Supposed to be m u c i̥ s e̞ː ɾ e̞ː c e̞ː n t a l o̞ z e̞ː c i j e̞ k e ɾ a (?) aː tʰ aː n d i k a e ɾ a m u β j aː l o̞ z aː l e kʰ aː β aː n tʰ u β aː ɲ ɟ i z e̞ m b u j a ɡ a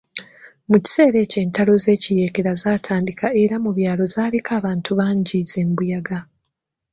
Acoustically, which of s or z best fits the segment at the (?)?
z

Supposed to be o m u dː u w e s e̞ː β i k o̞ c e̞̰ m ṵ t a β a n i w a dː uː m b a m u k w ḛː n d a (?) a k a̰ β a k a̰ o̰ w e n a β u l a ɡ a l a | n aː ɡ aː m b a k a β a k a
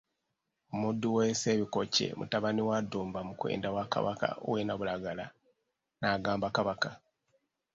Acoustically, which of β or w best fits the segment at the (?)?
w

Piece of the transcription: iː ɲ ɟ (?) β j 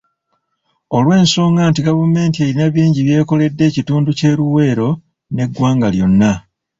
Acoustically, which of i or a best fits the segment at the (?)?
i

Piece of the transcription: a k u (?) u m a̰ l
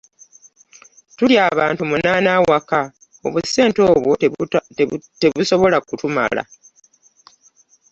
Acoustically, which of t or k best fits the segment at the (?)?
t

